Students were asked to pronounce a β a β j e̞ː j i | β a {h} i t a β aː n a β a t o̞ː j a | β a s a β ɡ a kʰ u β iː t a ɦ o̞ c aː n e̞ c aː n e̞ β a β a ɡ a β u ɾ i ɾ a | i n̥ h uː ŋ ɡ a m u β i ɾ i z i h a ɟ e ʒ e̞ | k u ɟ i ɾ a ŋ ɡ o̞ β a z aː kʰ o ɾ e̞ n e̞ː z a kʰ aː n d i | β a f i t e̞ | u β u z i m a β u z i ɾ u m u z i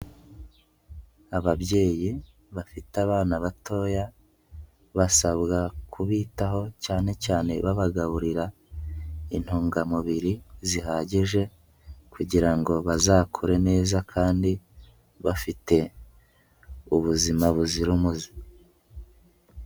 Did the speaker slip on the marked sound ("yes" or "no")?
yes